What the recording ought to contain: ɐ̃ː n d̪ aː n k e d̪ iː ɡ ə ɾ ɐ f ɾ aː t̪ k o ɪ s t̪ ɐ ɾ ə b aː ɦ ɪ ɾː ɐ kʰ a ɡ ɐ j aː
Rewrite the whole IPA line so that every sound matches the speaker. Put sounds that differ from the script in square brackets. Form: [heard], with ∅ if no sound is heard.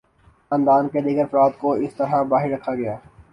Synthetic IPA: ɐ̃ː n d̪ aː n k e d̪ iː ɡ ə ɾ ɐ f ɾ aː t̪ k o ɪ s t̪ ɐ ɾ [a] b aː ɦ ɪ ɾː ɐ kʰ a ɡ ɐ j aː

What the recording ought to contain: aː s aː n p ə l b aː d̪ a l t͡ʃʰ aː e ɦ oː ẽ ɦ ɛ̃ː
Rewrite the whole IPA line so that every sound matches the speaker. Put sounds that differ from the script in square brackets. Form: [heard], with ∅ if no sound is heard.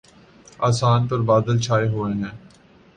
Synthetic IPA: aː s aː n p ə [ɾ] b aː d̪ [ə] l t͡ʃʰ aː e ɦ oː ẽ ɦ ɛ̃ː

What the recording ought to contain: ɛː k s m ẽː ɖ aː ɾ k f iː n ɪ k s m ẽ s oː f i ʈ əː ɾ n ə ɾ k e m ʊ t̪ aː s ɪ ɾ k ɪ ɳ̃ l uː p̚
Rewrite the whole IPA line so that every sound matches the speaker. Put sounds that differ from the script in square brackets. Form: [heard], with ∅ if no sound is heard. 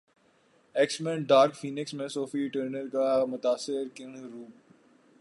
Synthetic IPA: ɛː k s m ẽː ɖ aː ɾ k f iː n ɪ k s m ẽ s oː f i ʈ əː ɾ n ə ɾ k [a] m ʊ t̪ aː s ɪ ɾ k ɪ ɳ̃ [ɾ] uː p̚

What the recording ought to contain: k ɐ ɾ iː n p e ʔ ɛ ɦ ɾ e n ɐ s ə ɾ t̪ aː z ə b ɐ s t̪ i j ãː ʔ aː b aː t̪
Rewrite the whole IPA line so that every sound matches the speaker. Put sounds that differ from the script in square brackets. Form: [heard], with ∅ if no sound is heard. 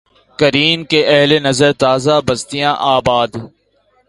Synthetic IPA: k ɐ ɾ iː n [k] e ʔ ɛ ɦ [l] e n ɐ [z] ə ɾ t̪ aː z [a] b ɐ s t̪ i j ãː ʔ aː b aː [d̪]

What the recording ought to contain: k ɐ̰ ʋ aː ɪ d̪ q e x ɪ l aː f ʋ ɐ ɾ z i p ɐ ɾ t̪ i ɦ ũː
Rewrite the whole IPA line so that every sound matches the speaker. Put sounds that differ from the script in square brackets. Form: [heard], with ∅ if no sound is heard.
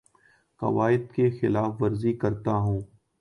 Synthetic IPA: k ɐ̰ ʋ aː ɪ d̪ [k] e x ɪ l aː f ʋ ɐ ɾ z i [k] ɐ ɾ t̪ [a] ɦ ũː

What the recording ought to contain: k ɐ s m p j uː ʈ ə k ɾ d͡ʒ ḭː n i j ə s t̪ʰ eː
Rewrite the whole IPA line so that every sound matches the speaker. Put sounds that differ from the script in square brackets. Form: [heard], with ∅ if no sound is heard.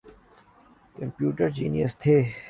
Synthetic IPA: k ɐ [∅] m p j uː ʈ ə [∅] ɾ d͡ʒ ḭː n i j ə s t̪ʰ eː

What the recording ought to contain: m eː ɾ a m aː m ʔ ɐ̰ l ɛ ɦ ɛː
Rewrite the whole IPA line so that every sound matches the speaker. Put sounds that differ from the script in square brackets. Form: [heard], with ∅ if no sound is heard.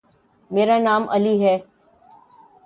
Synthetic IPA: m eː ɾ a [n] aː m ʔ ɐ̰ l [i] ɦ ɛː

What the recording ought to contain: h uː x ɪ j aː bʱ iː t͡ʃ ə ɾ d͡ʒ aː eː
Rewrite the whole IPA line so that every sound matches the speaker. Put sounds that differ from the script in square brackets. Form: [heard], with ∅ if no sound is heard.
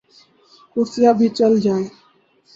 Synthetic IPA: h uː [s] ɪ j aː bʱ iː t͡ʃ ə [l] d͡ʒ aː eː

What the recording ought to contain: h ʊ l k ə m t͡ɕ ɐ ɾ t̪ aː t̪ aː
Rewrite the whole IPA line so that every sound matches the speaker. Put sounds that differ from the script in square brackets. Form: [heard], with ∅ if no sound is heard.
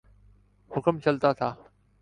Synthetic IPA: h ʊ [∅] k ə m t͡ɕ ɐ [l] t̪ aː [t̪ʰ] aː

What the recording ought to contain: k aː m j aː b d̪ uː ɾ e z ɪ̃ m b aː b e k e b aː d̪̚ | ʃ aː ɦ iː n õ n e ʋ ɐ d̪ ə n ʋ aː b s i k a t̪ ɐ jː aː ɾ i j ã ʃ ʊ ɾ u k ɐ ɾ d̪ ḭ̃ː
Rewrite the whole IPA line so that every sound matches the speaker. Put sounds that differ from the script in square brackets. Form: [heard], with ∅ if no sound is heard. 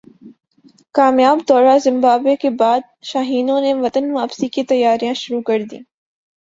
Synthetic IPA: k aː m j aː b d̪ [ɔː] ɾ [a] z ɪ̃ m b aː b e k e b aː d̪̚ | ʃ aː ɦ iː n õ n e ʋ ɐ [t̪] ə n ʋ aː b s i k [i] t̪ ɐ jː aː ɾ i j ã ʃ ʊ ɾ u k ɐ ɾ d̪ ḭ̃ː

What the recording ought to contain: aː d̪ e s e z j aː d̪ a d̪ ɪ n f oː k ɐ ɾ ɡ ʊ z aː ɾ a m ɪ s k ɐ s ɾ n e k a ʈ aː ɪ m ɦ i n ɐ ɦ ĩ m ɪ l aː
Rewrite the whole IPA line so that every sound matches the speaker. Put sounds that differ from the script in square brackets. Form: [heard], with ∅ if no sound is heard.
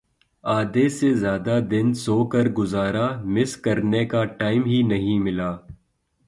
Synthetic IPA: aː d̪ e s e z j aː d̪ a d̪ ɪ n [s] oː k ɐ ɾ ɡ ʊ z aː ɾ a m ɪ s k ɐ [∅] ɾ n e k a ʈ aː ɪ m ɦ i n ɐ ɦ ĩ m ɪ l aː

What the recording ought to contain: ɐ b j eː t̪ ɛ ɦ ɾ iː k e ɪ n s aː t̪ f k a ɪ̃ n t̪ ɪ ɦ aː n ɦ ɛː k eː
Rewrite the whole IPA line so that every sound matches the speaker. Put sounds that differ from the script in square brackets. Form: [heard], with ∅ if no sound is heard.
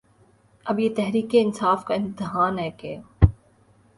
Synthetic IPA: ɐ b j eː t̪ ɛ ɦ ɾ iː k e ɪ n s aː [∅] f k a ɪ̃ n t̪ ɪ ɦ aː n ɦ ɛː k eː

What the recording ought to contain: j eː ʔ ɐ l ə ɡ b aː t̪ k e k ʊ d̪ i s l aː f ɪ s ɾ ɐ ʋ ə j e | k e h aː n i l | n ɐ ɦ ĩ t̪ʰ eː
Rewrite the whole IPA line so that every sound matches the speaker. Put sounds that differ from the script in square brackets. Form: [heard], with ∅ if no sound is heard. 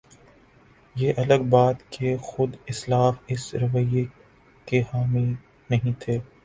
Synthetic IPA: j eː ʔ ɐ l ə ɡ b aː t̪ k e [x] ʊ d̪ [ɪ] s l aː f ɪ s ɾ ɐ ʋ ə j e | k e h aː [m] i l | n ɐ ɦ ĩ t̪ʰ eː

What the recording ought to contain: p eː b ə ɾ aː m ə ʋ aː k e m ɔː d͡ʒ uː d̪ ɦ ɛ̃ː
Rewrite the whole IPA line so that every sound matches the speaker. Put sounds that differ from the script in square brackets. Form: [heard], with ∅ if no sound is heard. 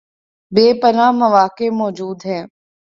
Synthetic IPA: [b] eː [p] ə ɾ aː m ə ʋ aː k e m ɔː d͡ʒ uː d̪ ɦ [ɛː]

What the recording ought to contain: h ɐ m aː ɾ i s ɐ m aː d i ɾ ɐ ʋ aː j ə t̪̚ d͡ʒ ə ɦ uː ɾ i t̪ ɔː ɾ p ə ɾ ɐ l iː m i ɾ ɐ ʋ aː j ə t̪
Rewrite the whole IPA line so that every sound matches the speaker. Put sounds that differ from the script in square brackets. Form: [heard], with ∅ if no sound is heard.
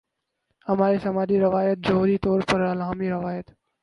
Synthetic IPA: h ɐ m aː ɾ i s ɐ m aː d i ɾ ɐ ʋ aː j ə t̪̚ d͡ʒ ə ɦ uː ɾ i t̪ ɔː ɾ p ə ɾ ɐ l [aː] m i ɾ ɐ ʋ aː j ə t̪

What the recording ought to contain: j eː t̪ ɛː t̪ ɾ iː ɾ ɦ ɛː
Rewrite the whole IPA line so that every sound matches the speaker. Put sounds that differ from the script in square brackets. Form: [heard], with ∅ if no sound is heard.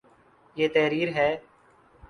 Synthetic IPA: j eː t̪ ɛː [∅] ɾ iː ɾ ɦ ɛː

